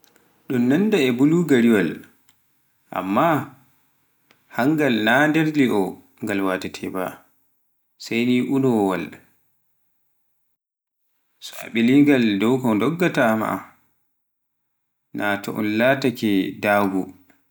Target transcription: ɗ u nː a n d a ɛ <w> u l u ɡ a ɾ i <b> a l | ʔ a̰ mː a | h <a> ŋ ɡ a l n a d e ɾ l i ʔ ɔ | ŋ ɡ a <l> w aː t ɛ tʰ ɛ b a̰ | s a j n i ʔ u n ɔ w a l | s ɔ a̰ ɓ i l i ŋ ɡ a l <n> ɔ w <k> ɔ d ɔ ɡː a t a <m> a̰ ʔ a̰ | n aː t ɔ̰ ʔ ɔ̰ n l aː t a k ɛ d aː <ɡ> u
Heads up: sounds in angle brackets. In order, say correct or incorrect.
incorrect, incorrect, correct, correct, incorrect, correct, correct, correct

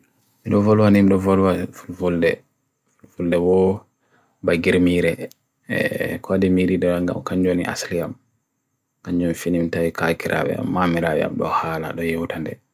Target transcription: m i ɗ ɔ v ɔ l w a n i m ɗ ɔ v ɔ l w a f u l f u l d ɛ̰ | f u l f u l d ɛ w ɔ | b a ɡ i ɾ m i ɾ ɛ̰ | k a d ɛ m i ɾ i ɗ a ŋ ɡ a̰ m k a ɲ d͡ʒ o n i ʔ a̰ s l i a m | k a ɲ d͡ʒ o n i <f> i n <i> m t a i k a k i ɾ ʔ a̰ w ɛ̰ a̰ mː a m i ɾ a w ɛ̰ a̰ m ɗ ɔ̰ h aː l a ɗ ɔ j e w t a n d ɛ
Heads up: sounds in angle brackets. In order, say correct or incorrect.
correct, correct

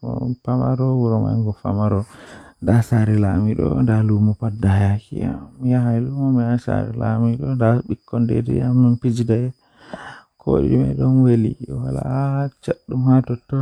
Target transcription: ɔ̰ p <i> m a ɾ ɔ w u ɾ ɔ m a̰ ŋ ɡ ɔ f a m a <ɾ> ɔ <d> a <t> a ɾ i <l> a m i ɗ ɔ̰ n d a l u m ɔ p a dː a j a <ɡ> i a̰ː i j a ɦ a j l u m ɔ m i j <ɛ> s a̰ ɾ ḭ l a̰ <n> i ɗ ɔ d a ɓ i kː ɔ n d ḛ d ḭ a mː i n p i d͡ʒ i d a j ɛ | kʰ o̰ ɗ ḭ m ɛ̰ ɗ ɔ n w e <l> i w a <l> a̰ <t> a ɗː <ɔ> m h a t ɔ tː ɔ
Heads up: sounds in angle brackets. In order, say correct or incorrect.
incorrect, correct, correct, incorrect, correct, incorrect, incorrect, incorrect, correct, correct, incorrect, incorrect

